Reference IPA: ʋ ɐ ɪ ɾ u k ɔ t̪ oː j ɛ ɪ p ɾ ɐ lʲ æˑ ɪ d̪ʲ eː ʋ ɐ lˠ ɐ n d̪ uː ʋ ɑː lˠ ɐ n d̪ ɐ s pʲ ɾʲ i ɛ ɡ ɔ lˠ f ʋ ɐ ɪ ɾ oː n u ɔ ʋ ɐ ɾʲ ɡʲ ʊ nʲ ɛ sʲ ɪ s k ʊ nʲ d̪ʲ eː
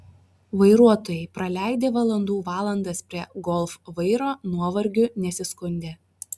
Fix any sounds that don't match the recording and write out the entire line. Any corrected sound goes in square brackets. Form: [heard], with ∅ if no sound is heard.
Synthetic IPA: ʋ ɐ ɪ ɾ u [∅] ɔ t̪ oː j ɛ ɪ p ɾ ɐ lʲ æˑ ɪ d̪ʲ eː ʋ ɐ lˠ ɐ n d̪ uː ʋ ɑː lˠ ɐ n d̪ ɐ s pʲ ɾʲ i ɛ ɡ ɔ lˠ f ʋ ɐ ɪ ɾ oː n u ɔ ʋ ɐ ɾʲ ɡʲ ʊ nʲ ɛ sʲ ɪ s k ʊ nʲ d̪ʲ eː